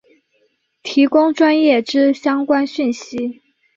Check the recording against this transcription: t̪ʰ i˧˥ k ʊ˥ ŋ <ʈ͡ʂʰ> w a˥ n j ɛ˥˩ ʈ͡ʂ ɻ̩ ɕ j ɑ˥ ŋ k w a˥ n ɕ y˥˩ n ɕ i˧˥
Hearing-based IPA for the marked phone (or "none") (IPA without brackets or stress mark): ʈ͡ʂ